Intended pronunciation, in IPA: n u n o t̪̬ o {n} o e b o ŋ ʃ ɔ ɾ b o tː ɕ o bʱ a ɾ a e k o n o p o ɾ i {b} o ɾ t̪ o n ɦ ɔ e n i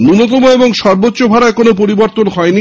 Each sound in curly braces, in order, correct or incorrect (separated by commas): incorrect, correct